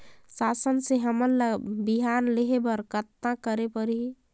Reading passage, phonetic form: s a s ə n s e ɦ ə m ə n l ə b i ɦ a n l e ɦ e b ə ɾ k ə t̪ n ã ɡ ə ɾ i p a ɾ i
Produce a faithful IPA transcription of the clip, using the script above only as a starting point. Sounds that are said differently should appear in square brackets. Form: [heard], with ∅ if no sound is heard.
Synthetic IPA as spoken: s a s ə n s e ɦ ə m ə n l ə b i ɦ a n l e ɦ e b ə ɾ k ə t̪ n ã [k] ə ɾ [e] p [ə] ɾ i